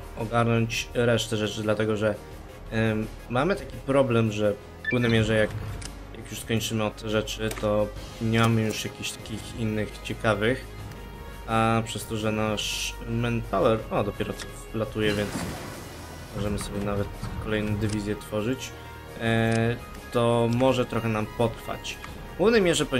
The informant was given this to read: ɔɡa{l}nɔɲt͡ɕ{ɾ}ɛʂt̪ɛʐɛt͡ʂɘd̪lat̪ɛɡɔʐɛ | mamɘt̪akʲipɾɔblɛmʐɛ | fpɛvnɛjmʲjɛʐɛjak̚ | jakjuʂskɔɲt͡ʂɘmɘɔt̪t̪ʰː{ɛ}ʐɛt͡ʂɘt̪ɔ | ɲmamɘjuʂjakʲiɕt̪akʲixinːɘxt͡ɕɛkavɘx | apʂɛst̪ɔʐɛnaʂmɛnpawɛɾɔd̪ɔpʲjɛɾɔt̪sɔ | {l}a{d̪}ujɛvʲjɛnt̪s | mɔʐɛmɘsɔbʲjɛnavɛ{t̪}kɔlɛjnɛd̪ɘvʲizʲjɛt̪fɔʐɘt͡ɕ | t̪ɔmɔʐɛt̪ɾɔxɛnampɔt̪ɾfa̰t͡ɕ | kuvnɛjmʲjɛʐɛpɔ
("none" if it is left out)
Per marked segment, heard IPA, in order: ɾ, ɾ, ɛ, l, t̪, t̪

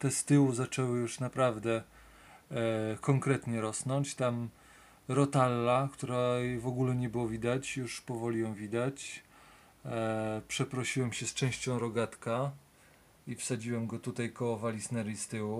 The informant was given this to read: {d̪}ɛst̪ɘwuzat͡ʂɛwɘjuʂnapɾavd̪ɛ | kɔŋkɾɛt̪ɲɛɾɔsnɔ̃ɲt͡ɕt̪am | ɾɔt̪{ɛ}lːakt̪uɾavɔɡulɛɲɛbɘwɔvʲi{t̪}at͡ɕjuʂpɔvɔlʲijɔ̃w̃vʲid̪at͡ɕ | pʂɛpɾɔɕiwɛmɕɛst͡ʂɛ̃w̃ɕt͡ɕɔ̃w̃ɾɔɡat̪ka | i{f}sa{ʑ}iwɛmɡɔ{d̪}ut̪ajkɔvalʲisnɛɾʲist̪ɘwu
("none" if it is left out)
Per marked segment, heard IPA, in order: t̪, a, d̪, f, d͡ʑ, t̪

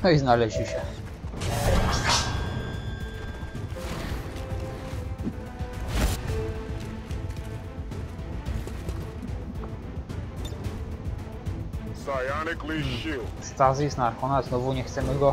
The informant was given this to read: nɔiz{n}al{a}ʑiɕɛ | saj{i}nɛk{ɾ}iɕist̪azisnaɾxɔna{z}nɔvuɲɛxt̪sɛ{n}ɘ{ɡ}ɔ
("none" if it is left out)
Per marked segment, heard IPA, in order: n, ɛ, a, l, z, m, ɡ

